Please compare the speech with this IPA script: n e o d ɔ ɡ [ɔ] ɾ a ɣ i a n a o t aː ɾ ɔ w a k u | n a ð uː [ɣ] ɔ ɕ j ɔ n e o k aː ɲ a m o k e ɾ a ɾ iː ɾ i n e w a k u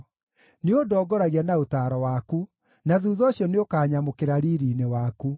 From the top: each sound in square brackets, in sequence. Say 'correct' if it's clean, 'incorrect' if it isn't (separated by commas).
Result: correct, incorrect